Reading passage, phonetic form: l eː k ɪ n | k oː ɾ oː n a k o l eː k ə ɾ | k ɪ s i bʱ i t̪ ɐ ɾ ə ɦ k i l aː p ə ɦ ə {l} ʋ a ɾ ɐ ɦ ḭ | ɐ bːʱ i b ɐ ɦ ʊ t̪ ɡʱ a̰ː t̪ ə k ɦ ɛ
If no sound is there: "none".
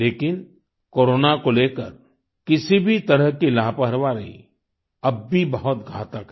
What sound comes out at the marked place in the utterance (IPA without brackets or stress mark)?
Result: ɾ